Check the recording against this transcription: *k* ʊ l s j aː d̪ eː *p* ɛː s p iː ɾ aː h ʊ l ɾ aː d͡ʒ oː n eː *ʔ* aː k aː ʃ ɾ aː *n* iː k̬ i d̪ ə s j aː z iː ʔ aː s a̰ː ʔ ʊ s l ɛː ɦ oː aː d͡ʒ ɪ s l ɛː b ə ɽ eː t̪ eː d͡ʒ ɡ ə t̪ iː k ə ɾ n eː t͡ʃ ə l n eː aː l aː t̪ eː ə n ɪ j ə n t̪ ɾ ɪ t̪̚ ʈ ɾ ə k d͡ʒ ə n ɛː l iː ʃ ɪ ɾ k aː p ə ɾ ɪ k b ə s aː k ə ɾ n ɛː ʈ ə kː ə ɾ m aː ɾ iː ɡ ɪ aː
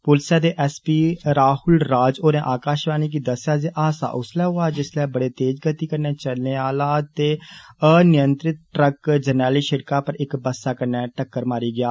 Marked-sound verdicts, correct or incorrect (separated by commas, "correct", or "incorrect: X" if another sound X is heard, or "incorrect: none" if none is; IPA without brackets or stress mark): incorrect: p, incorrect: ʔ, correct, correct